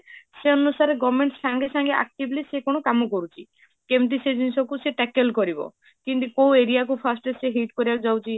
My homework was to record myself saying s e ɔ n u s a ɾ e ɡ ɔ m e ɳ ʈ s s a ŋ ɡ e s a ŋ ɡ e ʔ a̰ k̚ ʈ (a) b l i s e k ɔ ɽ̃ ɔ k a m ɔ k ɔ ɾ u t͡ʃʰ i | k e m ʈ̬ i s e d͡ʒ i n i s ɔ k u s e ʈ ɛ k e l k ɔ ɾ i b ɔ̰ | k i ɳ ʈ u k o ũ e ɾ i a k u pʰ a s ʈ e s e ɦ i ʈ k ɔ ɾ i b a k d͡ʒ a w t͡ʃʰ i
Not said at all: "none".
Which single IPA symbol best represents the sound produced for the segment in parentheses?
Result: i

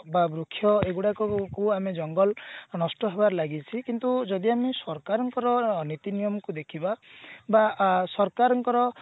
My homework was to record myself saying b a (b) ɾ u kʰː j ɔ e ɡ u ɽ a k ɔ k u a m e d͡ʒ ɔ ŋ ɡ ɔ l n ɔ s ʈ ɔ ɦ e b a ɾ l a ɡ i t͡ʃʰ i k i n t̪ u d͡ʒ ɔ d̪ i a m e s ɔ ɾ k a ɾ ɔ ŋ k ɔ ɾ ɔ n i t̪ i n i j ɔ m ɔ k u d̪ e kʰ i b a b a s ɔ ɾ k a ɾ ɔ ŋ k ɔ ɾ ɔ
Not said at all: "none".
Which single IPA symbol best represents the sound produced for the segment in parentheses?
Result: b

